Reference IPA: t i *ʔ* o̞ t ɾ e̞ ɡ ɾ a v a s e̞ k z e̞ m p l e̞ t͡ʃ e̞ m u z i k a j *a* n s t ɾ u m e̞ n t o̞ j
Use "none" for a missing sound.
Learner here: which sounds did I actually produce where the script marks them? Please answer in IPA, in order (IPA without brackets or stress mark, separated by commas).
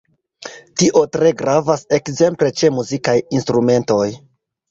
ʔ, i